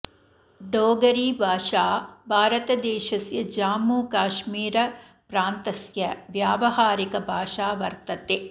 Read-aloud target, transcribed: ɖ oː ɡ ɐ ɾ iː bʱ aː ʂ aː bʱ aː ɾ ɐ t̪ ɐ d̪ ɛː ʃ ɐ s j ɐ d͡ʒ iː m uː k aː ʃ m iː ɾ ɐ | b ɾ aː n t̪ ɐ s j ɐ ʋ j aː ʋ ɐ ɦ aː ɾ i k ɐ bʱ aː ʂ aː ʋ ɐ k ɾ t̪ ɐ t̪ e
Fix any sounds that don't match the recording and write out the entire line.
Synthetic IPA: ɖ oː ɡ ɐ ɾ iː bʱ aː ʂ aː bʱ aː ɾ ɐ t̪ ɐ d̪ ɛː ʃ ɐ s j ɐ d͡ʒ aː m uː k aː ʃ m iː ɾ ɐ | p ɾ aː n t̪ ɐ s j ɐ ʋ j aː ʋ ɐ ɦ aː ɾ i k ɐ bʱ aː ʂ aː ʋ ɐ ɾ t̪ ɐ t̪ e